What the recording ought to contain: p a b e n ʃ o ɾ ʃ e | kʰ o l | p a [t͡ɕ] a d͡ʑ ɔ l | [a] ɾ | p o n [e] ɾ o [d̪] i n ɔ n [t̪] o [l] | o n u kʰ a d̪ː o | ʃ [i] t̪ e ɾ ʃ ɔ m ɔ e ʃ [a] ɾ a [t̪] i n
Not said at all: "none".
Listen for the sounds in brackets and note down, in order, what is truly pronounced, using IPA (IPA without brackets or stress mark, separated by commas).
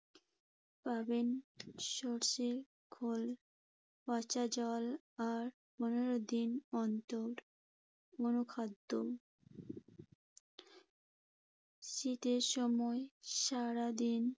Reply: t͡ɕ, a, e, d̪, t̪, ɾ, i, a, d̪